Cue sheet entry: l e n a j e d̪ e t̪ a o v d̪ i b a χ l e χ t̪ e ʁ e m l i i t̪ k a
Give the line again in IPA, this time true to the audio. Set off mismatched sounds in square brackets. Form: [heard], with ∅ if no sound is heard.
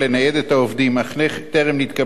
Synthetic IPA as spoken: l e n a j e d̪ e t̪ a o v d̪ i [m] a χ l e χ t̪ e ʁ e m l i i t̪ k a